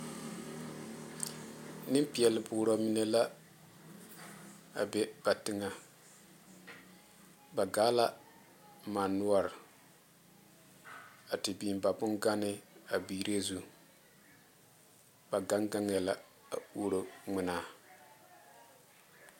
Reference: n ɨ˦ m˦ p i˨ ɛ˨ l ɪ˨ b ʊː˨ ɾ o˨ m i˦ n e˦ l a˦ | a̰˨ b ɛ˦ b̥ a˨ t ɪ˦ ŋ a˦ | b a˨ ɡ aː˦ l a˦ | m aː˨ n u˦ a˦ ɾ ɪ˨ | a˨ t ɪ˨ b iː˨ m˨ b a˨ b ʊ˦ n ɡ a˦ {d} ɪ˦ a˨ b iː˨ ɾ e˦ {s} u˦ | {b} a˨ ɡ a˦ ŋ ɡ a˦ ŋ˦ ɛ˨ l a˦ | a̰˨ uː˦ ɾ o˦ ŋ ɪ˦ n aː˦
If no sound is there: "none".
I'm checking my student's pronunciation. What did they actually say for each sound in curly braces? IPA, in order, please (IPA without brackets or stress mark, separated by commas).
n, z, b